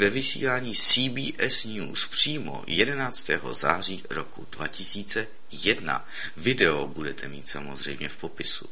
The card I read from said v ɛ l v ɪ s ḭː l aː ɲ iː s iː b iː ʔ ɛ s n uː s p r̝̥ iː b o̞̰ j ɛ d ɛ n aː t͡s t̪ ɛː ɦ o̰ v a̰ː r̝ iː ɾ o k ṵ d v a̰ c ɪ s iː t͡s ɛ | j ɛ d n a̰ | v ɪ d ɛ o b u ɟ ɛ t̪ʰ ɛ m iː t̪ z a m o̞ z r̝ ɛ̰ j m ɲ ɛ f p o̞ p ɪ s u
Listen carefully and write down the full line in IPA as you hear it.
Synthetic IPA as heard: v ɛ v ɪ s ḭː l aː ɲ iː s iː b iː ʔ ɛ s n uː s p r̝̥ iː m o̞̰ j ɛ d ɛ n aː t͡s t̪ ɛː ɦ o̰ z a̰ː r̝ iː ɾ o k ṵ d v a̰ c ɪ s iː t͡s ɛ | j ɛ d n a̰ | v ɪ d ɛ o b u d ɛ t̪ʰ ɛ m iː t̪ s a m o̞ z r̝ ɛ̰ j m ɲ ɛ f p o̞ p ɪ s u